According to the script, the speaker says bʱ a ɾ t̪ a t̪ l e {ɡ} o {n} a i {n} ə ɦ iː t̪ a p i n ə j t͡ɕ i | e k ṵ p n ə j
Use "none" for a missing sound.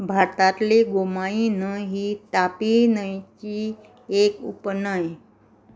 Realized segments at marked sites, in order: ɡ, m, n

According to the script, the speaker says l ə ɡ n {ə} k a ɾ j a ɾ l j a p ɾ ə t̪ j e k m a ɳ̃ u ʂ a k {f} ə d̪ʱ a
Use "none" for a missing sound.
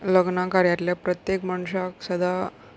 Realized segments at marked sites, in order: a, s

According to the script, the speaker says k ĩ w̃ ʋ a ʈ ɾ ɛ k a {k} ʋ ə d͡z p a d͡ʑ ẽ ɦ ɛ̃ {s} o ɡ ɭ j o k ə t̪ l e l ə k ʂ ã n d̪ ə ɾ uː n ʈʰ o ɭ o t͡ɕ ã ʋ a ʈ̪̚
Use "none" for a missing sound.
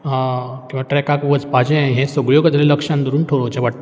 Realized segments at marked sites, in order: k, s

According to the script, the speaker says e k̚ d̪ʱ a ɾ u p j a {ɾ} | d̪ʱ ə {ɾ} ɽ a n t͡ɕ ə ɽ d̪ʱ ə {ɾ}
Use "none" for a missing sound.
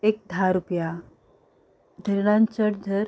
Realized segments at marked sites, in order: none, ɾ, ɾ

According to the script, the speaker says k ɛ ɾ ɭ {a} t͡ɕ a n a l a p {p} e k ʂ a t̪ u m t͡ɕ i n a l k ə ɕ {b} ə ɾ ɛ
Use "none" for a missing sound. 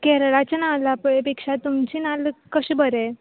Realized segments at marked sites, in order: a, p, b

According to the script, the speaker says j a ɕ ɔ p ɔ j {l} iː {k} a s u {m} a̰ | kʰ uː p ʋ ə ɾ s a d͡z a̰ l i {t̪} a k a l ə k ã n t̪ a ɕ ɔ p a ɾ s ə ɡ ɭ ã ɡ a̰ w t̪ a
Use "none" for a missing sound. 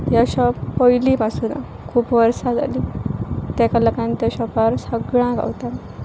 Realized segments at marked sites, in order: l, p, n, t̪

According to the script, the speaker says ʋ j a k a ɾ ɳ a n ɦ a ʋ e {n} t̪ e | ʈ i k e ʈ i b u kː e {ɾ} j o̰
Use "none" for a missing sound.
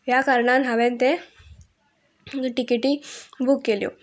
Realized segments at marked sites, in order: n, l

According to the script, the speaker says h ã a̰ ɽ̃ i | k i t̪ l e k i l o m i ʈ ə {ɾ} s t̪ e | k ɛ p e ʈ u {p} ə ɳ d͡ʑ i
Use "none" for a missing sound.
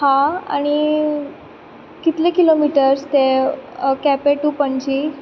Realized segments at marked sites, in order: ɾ, p

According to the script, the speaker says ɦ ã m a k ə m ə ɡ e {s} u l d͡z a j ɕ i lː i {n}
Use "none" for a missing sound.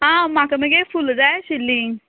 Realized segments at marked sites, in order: f, ŋ

